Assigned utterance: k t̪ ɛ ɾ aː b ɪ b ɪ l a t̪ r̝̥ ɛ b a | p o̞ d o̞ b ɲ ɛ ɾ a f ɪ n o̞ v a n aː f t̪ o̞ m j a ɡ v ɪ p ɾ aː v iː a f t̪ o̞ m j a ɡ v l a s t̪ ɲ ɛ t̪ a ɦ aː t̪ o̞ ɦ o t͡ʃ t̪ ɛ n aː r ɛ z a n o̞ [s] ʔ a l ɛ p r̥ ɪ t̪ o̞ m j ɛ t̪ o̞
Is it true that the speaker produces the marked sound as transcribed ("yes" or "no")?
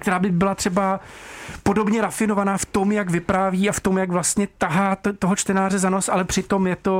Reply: yes